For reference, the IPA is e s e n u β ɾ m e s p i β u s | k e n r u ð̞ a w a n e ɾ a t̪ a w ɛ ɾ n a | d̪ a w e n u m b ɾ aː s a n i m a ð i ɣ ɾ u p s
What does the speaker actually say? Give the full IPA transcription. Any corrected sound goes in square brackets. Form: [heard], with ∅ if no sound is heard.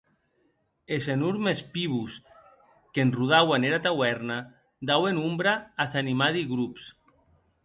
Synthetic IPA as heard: e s e n u [∅] ɾ m e s p i β u s | k e n r u ð̞ a w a n e ɾ a t̪ a w ɛ ɾ n a | d̪ a w e n u m b ɾ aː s a n i m a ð i ɣ ɾ u p s